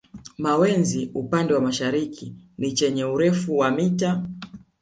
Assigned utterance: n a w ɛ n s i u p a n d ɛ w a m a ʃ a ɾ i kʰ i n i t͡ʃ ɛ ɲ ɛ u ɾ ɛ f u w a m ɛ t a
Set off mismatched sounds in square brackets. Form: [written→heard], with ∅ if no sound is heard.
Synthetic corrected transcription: [n→m] a w ɛ n [s→z] i u p a n d ɛ w a m a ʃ a ɾ i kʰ i n i t͡ʃ ɛ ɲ ɛ u ɾ ɛ f u w a m [ɛ→i] t a